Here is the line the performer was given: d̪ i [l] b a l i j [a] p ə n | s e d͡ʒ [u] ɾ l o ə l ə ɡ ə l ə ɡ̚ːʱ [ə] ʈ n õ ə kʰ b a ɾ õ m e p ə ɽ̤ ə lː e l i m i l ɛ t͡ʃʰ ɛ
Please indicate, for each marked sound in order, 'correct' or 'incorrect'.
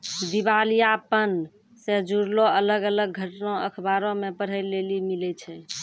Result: incorrect: none, correct, correct, correct

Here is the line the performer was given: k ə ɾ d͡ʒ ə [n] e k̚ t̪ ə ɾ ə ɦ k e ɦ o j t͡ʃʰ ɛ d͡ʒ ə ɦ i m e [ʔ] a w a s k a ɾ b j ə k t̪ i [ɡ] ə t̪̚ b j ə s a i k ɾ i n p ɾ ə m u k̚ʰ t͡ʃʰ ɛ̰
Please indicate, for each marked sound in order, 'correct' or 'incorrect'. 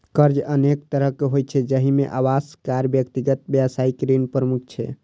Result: correct, correct, correct

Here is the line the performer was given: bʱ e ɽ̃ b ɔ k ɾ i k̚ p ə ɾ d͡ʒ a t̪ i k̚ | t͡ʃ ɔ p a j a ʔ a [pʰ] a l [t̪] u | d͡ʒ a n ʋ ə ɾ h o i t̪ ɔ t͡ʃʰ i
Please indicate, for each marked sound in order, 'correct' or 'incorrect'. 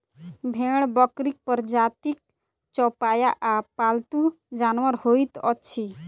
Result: incorrect: p, correct

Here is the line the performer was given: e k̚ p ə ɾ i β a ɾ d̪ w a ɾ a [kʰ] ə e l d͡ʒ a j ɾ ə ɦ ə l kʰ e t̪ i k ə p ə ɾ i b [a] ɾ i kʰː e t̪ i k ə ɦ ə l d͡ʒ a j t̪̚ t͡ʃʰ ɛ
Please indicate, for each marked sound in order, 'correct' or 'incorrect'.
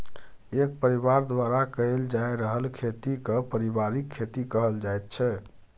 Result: incorrect: k, correct

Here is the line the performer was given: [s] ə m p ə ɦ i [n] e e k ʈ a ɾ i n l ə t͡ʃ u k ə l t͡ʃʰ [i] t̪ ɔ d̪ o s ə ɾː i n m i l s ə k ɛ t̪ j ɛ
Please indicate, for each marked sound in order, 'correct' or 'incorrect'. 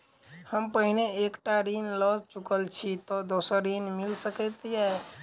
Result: incorrect: h, correct, correct

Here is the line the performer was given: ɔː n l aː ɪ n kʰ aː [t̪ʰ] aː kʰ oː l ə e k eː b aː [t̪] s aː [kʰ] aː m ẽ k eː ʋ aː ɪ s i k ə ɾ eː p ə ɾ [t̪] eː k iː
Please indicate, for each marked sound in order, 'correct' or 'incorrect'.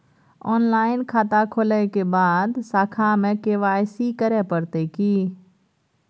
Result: incorrect: t̪, incorrect: d̪, correct, correct

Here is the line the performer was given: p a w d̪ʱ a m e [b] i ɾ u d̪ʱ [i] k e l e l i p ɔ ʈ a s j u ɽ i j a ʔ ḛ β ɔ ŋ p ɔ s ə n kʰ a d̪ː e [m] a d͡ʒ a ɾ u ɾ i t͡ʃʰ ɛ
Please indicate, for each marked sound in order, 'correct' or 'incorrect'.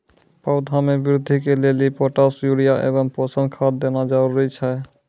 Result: correct, correct, incorrect: n

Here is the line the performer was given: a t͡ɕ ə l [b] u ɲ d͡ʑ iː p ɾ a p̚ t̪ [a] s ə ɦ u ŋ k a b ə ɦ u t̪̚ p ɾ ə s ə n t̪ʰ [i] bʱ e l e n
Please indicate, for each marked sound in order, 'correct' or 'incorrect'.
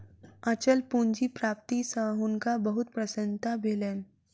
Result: incorrect: p, incorrect: i, incorrect: a

